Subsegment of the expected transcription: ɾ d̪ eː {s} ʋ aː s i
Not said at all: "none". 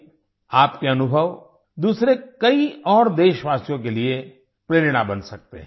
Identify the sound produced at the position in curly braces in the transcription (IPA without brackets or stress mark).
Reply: ʃ